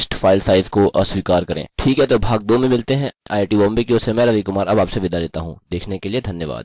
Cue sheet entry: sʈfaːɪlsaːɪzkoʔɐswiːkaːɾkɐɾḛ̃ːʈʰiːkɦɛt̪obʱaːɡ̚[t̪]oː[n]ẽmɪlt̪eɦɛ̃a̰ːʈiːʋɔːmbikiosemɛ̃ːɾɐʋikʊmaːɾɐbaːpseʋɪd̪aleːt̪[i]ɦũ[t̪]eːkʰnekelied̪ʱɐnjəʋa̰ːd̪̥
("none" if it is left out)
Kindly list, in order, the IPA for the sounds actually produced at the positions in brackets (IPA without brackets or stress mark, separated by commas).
d̪, m, a, d̪